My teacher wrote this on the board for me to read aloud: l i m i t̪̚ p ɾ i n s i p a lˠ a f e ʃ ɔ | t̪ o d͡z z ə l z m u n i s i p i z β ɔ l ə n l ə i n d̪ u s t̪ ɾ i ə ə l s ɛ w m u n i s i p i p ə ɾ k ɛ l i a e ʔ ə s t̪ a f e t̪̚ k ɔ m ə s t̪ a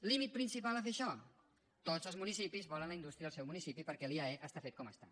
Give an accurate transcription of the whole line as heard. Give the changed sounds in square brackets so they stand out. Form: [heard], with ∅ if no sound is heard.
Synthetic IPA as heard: l i m i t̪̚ p ɾ i n s i p a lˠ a f e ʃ ɔ | t̪ o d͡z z ə l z m u n i s i p i z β ɔ l ə n l ə i n d̪ u s t̪ ɾ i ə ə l s ɛ w m u n i s i p i p ə ɾ k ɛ l i a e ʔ ə s t̪ a f e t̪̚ k ɔ m ə s t̪ a